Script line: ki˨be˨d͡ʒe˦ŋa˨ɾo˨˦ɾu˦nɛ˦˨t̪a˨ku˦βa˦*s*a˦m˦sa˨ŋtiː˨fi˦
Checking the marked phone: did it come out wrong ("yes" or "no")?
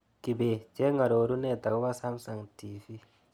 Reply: no